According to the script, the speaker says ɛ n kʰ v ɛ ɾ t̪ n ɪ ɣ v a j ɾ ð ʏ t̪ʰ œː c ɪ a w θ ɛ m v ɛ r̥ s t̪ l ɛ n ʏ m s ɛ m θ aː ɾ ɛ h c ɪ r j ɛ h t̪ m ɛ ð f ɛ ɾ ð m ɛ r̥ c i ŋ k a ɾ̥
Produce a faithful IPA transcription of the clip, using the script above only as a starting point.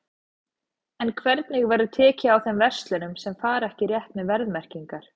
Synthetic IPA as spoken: ɛ n kʰ v ɛ ɾ t̪ n ɪ ɣ v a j ɾ ð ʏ t̪ʰ ɛː c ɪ a w θ ɛ m v ɛ r̥ s t̪ l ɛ n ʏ m s ɛ m f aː ɾ ɛ h c ɪ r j ɛ h t̪ m ɛ ð v ɛ ɾ ð m ɛ r̥ c i ŋ k a ɾ̥